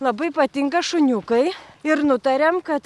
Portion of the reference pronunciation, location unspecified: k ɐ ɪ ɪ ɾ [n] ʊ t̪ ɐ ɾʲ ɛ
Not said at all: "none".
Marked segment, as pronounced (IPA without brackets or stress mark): n